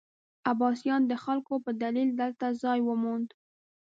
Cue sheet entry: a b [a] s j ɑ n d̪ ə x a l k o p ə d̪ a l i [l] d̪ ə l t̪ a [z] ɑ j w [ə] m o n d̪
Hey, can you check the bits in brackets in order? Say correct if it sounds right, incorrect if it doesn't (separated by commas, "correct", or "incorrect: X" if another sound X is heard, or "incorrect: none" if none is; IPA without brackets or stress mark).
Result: incorrect: ɑ, correct, correct, correct